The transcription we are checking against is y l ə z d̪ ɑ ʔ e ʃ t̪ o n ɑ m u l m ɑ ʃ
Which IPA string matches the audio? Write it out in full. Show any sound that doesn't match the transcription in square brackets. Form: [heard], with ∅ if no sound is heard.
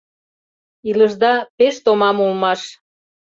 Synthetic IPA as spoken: [i] l ə [ʒ] d̪ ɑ [p] e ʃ t̪ o [m] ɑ m u l m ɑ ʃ